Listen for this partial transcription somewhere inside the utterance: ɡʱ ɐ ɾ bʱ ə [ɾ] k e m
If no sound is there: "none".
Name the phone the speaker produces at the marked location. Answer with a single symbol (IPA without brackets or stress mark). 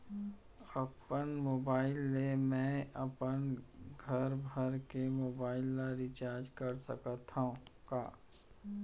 ɾ